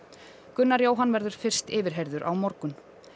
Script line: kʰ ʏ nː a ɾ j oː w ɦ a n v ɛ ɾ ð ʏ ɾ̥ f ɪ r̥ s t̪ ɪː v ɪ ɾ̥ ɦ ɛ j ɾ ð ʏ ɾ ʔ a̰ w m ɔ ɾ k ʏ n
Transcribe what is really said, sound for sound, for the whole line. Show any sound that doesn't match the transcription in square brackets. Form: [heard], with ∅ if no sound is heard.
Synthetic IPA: [k] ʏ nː a ɾ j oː w ɦ a n v ɛ ɾ ð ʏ ɾ̥ f ɪ r̥ s t̪ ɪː v ɪ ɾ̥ ɦ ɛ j ɾ ð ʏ ɾ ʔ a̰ w m ɔ ɾ k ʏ n

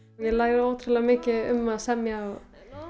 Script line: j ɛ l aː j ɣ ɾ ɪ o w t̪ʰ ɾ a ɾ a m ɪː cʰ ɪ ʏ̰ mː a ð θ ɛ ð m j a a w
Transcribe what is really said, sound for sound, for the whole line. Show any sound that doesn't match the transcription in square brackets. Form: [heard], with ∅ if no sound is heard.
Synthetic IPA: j ɛ l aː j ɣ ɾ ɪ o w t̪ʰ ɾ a [l] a m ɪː [c] ɪ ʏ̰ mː a ð [s] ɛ [∅] m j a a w

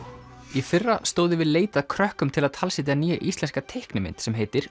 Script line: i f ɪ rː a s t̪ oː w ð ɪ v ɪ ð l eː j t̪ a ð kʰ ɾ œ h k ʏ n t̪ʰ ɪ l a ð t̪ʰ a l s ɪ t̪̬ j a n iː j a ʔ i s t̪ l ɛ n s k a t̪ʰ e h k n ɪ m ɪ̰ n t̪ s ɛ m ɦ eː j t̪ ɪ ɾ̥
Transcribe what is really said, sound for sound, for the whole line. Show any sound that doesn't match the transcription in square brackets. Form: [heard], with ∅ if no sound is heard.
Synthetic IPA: i f ɪ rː a s t̪ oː w ð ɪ v ɪ ð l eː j t̪ a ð kʰ ɾ œ h k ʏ [m] t̪ʰ ɪ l a ð t̪ʰ a l s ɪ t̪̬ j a n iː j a ʔ i s t̪ l ɛ n s k a t̪ʰ e h k n ɪ m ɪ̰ n t̪ s ɛ m ɦ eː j t̪ ɪ ɾ̥

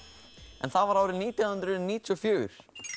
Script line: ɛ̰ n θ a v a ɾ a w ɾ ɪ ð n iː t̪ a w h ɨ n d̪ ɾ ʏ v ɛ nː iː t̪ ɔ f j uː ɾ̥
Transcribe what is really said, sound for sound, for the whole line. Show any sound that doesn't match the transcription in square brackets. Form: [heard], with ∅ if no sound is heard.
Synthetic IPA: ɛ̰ n θ a v a ɾ a w ɾ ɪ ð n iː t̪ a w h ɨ n d̪ ɾ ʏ [ð] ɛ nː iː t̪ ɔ f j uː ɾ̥

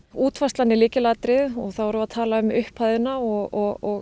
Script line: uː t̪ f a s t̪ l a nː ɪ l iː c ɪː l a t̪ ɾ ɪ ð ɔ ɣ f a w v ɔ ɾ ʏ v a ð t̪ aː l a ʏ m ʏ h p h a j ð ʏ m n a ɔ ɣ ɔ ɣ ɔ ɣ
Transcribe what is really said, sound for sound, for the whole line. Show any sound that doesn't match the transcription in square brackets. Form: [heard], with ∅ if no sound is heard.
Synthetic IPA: uː t̪ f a s t̪ l a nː ɪ l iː c [ɪ] l a t̪ ɾ ɪ ð ɔ ɣ [θ] a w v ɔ ɾ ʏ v a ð [t̪ʰ] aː l a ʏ m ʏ h p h a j ð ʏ [∅] n a ɔ ɣ ɔ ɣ ɔ ɣ

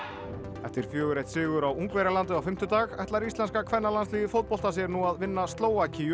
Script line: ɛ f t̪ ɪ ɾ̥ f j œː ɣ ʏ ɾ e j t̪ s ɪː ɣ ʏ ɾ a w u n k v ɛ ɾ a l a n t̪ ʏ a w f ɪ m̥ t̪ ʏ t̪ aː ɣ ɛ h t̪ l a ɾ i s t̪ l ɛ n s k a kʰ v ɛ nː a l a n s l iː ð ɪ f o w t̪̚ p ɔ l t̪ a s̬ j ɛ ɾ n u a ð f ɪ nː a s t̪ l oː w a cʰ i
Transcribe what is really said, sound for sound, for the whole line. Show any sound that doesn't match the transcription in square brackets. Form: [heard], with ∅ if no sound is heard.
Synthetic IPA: ɛ f t̪ ɪ ɾ̥ f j œː ɣ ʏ ɾ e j t̪ s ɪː ɣ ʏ ɾ a w u [ŋ] k v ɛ ɾ a l a n t̪ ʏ a w f ɪ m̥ t̪ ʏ t̪ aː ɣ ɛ h t̪ l a ɾ i s t̪ l ɛ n s k a kʰ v ɛ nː a l a n s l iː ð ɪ f o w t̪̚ p ɔ l t̪ a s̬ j ɛ ɾ n u a ð [v] ɪ nː a s t̪ l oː w a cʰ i

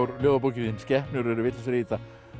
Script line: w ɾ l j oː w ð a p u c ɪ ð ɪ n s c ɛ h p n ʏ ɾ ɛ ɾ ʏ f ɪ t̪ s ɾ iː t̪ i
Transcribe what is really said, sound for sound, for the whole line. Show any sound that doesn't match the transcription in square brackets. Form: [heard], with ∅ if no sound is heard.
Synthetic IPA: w ɾ l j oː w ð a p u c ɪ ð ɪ n s c ɛ h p n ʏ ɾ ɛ ɾ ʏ [v] ɪ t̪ s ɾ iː t̪ [a]

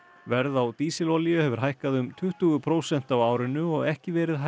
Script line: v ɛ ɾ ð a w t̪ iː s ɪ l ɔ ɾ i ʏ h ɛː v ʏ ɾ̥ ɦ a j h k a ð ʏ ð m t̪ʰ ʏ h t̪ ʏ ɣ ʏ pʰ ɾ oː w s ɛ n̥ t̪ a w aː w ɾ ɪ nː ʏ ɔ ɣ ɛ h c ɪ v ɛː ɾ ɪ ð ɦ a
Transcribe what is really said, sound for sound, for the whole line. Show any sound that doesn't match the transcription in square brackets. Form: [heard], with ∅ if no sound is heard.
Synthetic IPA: v ɛ ɾ ð a w t̪ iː s ɪ l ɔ [l] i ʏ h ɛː v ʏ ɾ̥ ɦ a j h k a ð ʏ [∅] m t̪ʰ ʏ h t̪ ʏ ɣ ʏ pʰ ɾ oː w s ɛ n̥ t̪ a w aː w ɾ ɪ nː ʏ ɔ ɣ ɛ h c ɪ v ɛː ɾ ɪ ð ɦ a

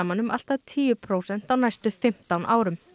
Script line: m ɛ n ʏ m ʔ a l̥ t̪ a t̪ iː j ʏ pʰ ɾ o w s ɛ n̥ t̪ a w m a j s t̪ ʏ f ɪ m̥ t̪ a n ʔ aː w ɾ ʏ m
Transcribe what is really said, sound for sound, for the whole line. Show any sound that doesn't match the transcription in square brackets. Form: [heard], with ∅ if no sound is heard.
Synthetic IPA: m [a] n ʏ m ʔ a l̥ t̪ a [t̪ʰ] iː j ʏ pʰ ɾ o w s ɛ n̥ t̪ a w [n] a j s t̪ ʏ f ɪ m̥ t̪ a n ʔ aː w ɾ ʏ m

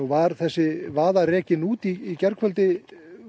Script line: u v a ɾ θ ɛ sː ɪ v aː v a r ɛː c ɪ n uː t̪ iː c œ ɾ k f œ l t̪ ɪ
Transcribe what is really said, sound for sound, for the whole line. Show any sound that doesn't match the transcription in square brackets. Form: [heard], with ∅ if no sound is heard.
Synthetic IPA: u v a ɾ θ ɛ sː ɪ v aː [ð] a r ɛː c ɪ n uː t̪ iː c [ɛ] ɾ k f œ l t̪ ɪ

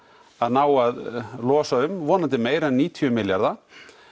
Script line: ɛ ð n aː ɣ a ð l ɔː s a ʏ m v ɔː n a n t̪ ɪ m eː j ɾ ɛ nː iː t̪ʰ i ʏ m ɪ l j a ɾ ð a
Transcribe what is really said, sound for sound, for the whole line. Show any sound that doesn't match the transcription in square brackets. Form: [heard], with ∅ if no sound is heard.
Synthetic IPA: [a] ð n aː [w] a ð l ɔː s a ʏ m v ɔː n a n t̪ ɪ m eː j ɾ ɛ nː iː t̪ʰ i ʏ m ɪ l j a ɾ ð a

